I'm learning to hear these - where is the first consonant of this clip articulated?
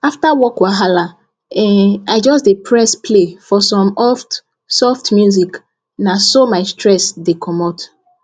lips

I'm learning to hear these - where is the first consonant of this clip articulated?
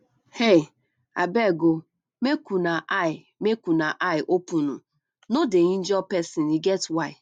throat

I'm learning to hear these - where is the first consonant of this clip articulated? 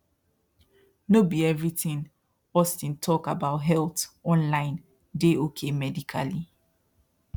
tongue tip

